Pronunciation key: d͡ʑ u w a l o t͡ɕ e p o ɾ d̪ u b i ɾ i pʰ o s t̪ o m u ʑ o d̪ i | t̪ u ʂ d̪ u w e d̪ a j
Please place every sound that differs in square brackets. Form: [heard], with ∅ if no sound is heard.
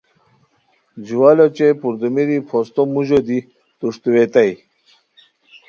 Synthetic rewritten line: d͡ʑ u w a l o t͡ɕ e p [u] ɾ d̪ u [m] i ɾ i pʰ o s t̪ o m u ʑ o d̪ i | t̪ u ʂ [t̪] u w e [t̪] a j